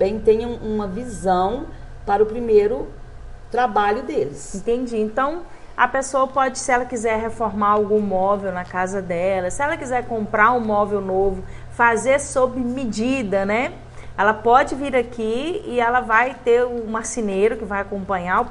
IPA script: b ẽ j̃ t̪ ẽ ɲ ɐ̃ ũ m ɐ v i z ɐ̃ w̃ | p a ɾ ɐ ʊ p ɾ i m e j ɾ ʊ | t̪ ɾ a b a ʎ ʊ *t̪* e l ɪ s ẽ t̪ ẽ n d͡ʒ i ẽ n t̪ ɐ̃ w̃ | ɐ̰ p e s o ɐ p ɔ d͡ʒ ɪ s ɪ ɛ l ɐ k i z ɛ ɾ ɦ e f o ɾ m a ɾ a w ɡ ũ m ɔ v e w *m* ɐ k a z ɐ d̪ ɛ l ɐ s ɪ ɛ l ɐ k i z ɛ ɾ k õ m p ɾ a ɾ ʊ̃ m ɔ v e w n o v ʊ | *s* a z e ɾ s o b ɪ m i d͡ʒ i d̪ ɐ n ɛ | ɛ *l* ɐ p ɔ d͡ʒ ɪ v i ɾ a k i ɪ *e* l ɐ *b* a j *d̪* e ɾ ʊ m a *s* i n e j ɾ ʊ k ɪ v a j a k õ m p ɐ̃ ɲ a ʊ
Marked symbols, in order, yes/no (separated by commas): no, no, no, yes, no, no, no, yes